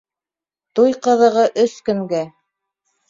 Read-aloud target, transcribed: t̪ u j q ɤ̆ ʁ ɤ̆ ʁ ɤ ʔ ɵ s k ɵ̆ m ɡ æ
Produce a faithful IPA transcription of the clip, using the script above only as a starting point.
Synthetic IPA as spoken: t̪ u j q ɤ̆ ð ɤ̆ ʁ ɤ ʔ ɵ s k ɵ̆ ŋ ɡ æ